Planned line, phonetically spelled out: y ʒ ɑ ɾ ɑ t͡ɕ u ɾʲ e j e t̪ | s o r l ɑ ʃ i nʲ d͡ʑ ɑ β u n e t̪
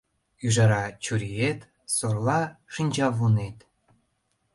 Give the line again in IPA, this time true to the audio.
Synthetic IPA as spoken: y ʒ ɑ ɾ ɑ t͡ɕ u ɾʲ i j e t̪ | s o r l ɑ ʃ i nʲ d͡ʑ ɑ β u n e t̪